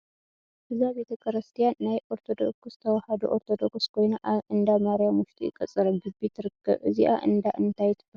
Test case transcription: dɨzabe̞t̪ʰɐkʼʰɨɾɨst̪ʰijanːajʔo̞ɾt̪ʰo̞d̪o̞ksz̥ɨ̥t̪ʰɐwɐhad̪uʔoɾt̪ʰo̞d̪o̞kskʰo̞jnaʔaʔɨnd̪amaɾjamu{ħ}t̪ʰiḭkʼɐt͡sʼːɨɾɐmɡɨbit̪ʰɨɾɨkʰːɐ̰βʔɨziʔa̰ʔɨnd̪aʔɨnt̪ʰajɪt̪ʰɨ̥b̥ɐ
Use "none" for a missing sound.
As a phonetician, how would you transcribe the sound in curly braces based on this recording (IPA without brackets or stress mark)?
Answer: ʃ